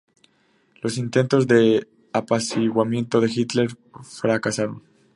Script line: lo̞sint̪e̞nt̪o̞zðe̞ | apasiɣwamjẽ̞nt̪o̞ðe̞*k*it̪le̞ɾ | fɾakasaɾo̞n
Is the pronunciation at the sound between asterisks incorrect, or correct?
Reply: incorrect